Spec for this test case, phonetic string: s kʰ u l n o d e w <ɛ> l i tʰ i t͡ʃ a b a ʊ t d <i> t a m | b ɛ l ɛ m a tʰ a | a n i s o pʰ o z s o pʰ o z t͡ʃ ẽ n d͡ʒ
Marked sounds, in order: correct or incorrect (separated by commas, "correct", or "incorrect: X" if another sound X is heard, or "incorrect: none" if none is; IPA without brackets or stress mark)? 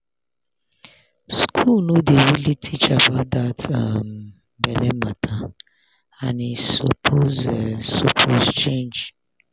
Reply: incorrect: i, incorrect: a